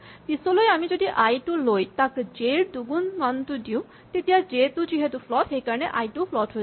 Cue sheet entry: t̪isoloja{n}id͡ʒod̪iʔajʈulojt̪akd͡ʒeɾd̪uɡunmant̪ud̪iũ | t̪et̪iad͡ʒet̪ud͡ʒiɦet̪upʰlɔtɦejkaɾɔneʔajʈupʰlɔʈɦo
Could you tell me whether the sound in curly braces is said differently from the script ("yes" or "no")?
yes